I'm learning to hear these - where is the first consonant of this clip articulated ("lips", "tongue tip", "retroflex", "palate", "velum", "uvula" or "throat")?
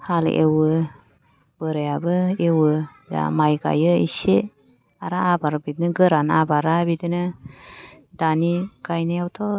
throat